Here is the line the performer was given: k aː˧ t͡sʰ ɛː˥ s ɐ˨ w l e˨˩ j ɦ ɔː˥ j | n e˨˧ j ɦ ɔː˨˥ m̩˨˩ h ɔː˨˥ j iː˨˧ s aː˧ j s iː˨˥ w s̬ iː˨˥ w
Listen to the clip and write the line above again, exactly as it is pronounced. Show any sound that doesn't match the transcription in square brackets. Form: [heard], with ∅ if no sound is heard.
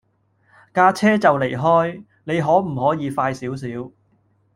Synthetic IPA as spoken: k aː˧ t͡sʰ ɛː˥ [t͡s] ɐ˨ w l e˨˩ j ɦ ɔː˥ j | n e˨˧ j ɦ ɔː˨˥ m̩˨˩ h ɔː˨˥ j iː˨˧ [f] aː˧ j s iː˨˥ w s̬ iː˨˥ w